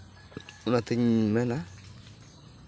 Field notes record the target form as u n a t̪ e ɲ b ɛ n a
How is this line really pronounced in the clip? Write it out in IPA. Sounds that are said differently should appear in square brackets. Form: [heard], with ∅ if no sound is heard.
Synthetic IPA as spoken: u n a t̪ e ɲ [m] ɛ n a